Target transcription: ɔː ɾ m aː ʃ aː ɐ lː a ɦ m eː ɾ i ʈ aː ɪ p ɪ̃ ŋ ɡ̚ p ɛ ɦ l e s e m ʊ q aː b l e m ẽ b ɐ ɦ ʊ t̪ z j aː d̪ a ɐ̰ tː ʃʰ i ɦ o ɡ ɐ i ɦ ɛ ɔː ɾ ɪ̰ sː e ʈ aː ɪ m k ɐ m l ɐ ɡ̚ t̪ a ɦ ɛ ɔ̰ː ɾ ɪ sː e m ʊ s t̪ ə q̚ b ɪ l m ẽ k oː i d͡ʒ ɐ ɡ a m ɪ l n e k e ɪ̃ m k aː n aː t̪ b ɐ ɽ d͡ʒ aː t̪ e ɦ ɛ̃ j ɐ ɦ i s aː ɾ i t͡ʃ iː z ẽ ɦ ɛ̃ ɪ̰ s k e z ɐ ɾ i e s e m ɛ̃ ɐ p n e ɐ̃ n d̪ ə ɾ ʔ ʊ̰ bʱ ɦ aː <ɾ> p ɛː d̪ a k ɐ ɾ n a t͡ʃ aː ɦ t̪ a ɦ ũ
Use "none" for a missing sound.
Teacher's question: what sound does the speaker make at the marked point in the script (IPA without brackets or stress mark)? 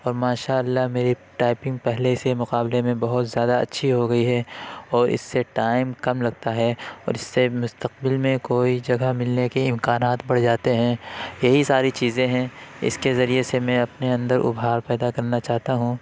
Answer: ɾ